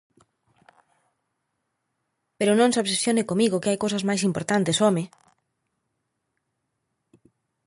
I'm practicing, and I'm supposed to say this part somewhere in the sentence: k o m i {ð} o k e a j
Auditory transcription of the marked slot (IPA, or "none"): ɣ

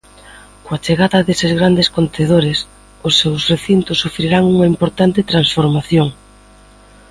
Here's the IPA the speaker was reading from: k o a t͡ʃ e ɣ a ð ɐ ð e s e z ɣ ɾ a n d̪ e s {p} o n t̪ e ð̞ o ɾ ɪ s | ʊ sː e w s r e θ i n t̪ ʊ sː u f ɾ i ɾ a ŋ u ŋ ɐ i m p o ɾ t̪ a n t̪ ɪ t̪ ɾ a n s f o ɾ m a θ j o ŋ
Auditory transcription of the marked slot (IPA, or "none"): k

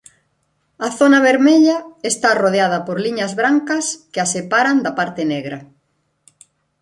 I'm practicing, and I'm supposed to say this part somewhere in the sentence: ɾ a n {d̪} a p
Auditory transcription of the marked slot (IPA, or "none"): d̪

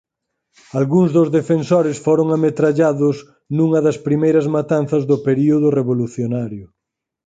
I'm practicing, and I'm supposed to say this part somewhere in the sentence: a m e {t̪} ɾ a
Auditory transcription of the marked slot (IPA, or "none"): t̪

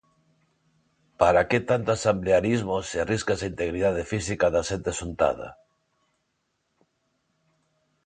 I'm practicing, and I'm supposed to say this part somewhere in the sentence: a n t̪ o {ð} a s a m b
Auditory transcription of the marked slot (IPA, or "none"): none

